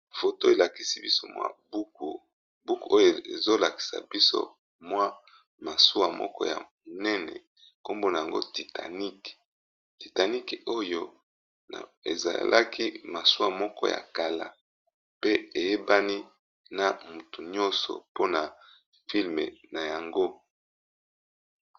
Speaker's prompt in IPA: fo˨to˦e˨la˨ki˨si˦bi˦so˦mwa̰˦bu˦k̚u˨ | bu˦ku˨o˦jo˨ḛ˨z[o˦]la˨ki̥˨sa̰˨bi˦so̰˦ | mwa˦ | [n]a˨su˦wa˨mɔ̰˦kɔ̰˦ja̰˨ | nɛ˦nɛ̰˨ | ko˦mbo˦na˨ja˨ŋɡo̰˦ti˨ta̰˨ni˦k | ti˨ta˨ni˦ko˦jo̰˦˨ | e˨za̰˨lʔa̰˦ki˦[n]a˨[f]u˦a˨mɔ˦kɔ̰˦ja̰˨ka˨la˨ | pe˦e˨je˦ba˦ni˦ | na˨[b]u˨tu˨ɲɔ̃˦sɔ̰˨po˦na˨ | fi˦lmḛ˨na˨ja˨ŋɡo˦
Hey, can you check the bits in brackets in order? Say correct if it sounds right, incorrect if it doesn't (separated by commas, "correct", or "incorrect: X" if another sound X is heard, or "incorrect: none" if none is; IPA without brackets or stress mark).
correct, incorrect: m, incorrect: m, incorrect: s, incorrect: m